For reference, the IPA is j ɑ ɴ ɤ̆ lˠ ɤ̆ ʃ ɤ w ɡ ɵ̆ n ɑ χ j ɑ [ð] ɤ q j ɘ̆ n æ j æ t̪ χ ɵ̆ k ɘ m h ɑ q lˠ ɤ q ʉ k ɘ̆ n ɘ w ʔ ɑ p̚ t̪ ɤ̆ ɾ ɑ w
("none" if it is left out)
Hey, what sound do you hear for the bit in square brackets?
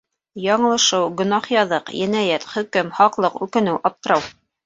ð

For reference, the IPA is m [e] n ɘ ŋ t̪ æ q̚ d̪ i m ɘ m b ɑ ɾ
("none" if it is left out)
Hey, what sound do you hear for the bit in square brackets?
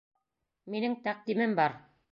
i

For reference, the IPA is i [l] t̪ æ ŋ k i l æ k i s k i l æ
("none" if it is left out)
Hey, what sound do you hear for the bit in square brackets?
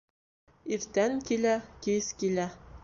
ɾ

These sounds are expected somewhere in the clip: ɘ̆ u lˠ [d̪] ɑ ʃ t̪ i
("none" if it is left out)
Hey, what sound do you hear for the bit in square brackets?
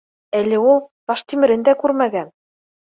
t̪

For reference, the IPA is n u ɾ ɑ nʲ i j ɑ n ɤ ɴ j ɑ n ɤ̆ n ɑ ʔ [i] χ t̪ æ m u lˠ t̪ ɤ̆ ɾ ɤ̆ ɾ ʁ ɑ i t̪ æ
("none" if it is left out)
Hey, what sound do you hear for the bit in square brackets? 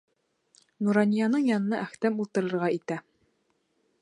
æ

